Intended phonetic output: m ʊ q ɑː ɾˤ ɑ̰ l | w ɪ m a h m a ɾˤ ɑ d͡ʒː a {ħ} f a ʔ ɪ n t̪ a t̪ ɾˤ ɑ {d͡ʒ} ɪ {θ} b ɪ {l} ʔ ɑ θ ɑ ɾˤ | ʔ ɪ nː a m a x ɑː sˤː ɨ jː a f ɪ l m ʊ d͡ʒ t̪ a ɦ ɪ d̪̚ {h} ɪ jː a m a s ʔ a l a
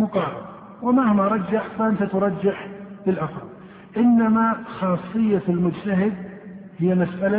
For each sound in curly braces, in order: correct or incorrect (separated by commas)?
correct, incorrect, incorrect, correct, correct